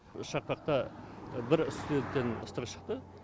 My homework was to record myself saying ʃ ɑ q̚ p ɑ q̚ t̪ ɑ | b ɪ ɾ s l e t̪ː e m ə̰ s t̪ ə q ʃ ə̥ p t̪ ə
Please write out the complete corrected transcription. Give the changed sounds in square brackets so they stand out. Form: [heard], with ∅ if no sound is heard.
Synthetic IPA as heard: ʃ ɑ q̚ p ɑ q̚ t̪ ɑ | b ɪ ɾ s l e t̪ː e [n] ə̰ s t̪ ə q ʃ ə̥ [q] t̪ ə